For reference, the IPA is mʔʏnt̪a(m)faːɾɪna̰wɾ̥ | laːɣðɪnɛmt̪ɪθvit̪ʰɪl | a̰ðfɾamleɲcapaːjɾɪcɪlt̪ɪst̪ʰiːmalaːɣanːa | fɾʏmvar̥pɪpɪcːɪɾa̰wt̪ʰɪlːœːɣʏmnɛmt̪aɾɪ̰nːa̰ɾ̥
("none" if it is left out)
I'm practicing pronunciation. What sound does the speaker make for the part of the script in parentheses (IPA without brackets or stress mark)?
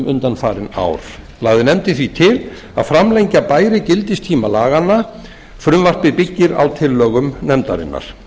n